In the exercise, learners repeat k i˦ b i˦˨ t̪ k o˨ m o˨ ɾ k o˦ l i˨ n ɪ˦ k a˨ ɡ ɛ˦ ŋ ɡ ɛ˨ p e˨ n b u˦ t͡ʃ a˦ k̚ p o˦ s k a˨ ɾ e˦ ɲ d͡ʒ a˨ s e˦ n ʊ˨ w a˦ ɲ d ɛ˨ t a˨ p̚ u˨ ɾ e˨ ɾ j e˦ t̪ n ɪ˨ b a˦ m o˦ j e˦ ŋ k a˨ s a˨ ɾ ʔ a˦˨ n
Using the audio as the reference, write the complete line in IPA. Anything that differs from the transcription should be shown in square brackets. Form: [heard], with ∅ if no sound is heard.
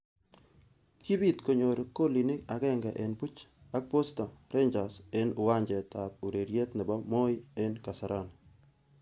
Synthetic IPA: k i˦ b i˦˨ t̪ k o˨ [ɲ] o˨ ɾ k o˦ l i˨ n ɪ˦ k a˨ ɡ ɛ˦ ŋ ɡ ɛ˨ [ʔ] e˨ n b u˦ t͡ʃ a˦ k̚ p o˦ s [t] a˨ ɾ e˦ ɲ d͡ʒ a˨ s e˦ n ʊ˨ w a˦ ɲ [d͡ʒ] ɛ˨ t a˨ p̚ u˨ ɾ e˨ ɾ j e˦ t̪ n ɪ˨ b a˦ m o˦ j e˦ [n] k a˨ s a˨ ɾ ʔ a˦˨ n